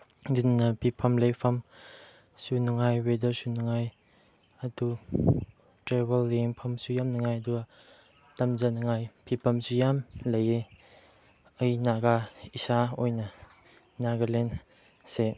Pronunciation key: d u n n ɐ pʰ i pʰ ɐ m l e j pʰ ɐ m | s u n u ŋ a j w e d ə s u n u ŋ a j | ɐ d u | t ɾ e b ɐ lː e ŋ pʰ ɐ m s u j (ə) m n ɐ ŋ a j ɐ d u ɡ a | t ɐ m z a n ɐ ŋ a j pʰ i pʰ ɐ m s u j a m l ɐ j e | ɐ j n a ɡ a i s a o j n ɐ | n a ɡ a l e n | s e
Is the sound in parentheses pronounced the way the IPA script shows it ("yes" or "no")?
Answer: no